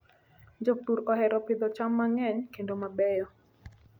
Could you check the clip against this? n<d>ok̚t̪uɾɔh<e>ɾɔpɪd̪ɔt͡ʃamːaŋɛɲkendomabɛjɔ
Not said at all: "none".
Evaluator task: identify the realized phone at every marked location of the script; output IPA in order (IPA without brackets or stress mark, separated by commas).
d͡ʒ, ɛ